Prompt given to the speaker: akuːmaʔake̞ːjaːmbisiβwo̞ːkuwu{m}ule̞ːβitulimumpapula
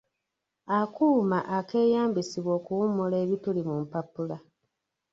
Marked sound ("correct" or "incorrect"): correct